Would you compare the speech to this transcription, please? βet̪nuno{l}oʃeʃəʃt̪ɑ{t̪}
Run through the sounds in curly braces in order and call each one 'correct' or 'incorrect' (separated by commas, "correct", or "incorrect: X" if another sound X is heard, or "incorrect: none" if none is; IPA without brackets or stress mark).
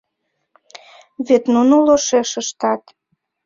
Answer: correct, correct